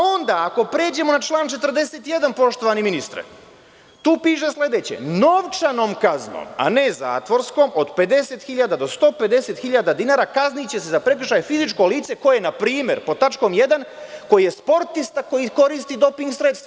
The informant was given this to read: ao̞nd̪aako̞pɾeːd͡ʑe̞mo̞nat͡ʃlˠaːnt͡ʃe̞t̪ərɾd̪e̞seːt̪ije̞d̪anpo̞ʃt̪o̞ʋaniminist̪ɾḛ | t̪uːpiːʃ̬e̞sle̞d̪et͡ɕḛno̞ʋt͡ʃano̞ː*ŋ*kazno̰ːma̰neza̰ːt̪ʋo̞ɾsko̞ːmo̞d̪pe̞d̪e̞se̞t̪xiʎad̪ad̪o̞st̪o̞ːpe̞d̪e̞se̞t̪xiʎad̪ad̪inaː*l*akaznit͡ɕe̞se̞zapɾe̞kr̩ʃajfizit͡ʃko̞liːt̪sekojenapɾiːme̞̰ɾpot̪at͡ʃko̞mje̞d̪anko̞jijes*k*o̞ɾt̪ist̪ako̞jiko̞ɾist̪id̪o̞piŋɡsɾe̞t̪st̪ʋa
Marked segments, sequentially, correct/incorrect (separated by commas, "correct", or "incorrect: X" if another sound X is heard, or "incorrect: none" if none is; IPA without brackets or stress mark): incorrect: m, incorrect: ɾ, incorrect: p